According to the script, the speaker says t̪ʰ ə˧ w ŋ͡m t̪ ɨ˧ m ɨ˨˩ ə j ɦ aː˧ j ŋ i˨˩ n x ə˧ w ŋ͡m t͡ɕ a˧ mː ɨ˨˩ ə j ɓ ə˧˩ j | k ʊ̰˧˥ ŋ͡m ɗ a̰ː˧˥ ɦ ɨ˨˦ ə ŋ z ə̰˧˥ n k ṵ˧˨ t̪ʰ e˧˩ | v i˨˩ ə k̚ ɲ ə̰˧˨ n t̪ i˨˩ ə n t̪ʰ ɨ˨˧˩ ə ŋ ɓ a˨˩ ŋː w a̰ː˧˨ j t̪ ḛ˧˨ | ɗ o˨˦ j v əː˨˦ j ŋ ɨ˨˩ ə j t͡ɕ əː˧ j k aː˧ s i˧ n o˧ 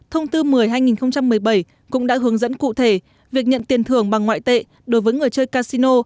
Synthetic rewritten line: t̪ʰ ə˧ w ŋ͡m t̪ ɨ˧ m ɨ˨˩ ə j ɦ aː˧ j ŋ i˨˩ n x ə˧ w ŋ͡m t͡ɕ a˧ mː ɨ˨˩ ə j ɓ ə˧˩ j | k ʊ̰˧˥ ŋ͡m ɗ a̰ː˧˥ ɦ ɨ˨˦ ə ŋ z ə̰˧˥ n k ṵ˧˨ t̪ʰ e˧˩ | v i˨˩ ə k̚ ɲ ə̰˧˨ n t̪ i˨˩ ə n t̪ʰ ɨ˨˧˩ ə ŋ ɓ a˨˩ ŋː w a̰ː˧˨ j t̪ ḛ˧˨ | ɗ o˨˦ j v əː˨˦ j ŋ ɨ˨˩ ə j t͡ɕ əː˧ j k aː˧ s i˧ n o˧